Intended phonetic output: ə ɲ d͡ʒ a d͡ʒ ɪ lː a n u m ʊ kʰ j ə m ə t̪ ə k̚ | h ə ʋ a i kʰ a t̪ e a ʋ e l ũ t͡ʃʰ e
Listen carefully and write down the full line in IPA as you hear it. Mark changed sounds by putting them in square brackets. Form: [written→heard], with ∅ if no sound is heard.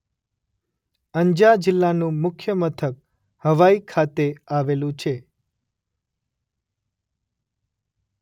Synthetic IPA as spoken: ə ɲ d͡ʒ a d͡ʒ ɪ lː a n [u→ũ] m ʊ kʰ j ə m ə [t̪→t̪ʰ] ə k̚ | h ə ʋ a i kʰ a t̪ e a ʋ e l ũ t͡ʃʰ e